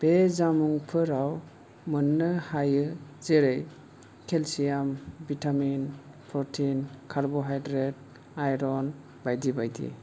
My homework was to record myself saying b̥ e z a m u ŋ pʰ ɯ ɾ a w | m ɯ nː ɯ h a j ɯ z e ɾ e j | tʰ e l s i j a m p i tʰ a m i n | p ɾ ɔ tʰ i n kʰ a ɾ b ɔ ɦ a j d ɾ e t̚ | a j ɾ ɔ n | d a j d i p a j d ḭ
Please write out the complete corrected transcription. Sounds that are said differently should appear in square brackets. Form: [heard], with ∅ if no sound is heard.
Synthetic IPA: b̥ e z a m u ŋ pʰ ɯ ɾ a w | m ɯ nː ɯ h a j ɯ z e ɾ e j | [kʰ] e l s i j a m [b] i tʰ a m i n | p ɾ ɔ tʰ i n kʰ a ɾ b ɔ ɦ a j d ɾ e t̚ | a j ɾ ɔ n | [b] a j d i [b] a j d ḭ